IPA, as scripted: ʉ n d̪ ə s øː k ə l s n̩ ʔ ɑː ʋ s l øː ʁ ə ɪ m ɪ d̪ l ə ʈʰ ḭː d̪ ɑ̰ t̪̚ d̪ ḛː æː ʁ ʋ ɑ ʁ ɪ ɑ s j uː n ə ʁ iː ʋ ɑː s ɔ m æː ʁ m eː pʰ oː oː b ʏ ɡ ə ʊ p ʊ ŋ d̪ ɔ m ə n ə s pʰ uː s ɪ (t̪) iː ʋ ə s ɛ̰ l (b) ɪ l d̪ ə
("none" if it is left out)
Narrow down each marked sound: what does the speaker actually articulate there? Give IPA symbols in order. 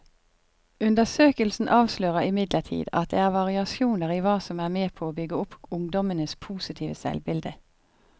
t̪ʰ, b

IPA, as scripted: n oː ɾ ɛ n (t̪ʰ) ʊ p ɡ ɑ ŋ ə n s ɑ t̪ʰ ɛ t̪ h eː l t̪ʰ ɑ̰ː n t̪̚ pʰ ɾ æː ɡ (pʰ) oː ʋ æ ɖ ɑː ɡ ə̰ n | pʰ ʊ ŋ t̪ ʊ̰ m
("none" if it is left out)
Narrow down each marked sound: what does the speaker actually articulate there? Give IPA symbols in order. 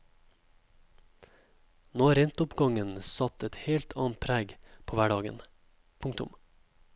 t̪, pʰ

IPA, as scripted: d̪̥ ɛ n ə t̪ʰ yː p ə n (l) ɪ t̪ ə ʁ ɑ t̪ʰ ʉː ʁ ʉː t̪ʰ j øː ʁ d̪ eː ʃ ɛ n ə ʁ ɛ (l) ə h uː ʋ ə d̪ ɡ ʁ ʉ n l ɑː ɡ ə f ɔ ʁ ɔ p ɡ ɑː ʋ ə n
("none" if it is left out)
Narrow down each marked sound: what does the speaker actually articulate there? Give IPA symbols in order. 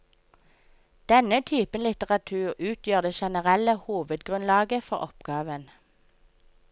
l, l

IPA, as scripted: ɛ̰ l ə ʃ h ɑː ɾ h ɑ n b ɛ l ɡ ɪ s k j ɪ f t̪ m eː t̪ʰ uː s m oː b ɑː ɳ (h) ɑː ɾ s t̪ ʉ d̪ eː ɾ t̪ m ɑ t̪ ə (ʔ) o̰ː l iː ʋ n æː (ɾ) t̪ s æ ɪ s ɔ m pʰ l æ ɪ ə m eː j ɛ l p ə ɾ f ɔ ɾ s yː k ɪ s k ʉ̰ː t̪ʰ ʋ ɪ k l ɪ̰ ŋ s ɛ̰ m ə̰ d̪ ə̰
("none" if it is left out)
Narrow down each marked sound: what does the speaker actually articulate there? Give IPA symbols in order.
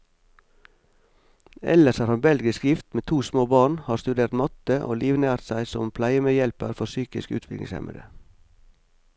h, ʔ, ɾ

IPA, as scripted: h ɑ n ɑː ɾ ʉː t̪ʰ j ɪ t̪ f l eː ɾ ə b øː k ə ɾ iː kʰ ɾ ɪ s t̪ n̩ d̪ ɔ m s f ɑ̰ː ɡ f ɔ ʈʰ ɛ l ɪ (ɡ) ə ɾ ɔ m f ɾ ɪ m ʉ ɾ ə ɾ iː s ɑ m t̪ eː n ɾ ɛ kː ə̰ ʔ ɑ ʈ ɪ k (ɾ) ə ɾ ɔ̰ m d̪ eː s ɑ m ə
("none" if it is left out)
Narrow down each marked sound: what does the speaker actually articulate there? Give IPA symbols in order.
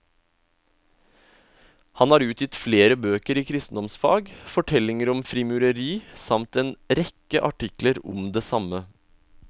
ŋ, l

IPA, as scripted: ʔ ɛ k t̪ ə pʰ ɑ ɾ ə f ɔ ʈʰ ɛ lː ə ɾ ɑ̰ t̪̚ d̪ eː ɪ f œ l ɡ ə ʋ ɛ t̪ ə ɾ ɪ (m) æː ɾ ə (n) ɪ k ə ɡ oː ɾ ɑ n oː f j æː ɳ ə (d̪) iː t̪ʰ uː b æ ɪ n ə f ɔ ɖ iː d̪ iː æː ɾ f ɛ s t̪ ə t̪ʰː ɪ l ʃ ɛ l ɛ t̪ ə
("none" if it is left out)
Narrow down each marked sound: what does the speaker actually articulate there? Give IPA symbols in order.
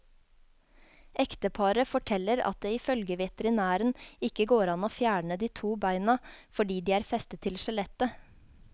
n, n, d̪

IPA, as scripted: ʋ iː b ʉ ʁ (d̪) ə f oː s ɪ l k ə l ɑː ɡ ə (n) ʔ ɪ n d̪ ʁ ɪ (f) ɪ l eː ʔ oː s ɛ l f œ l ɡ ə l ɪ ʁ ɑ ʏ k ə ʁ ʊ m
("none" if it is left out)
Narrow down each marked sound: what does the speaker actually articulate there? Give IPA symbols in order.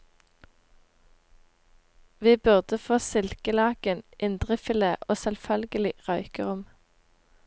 d̪, n, f

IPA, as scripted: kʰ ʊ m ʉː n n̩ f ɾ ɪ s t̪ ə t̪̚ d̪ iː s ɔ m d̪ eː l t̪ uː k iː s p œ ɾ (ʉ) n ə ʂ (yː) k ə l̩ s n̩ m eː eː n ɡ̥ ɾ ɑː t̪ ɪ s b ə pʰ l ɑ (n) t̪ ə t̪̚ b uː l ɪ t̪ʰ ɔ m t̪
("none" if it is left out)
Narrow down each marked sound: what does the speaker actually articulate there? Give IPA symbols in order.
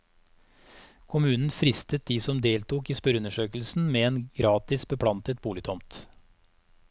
ʉ, øː, n

